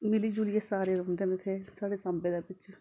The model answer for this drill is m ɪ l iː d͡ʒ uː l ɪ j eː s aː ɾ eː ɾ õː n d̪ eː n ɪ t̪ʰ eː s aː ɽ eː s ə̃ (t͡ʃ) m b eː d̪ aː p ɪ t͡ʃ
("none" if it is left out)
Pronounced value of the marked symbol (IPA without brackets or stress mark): none